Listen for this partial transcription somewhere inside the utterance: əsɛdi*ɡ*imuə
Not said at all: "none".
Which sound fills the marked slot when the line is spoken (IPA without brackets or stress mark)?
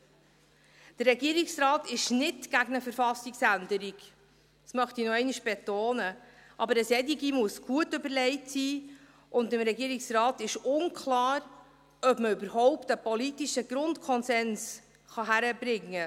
ɡ